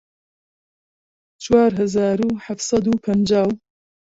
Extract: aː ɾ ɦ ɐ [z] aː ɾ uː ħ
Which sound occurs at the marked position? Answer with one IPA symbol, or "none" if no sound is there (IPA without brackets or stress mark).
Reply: z